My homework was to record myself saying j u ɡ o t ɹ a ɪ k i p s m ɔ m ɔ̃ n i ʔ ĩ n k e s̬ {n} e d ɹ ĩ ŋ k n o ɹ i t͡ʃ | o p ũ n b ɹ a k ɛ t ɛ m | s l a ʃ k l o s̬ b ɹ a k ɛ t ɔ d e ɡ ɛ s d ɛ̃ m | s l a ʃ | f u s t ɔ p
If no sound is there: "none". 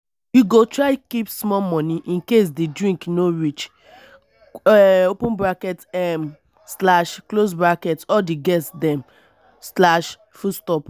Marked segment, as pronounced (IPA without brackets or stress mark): d